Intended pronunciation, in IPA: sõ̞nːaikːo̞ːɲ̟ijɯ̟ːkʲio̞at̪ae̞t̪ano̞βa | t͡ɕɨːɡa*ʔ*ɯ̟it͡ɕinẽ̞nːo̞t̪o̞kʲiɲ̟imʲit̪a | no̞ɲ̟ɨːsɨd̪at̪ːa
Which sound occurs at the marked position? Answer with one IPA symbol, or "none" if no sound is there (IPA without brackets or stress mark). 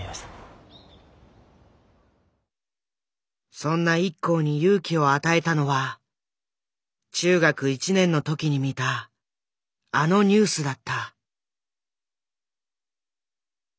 k